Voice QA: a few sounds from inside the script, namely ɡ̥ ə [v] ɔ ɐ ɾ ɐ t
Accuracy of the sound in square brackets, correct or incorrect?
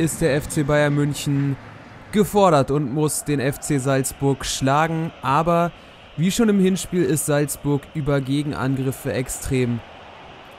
incorrect